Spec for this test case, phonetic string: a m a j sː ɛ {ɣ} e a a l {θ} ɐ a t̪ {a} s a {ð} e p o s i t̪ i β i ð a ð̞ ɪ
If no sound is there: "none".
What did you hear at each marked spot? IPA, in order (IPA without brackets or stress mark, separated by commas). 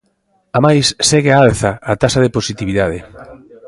ɣ, θ, a, ð